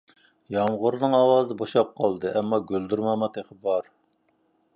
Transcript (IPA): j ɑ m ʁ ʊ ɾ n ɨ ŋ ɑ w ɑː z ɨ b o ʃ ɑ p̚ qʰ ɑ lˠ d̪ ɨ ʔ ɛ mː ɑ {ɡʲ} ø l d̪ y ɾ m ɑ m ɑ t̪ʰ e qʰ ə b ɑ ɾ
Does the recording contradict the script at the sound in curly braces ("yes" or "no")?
no